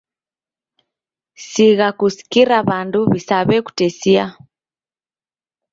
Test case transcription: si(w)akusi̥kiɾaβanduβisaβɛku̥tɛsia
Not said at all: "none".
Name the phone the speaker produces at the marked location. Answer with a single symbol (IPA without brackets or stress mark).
ɣ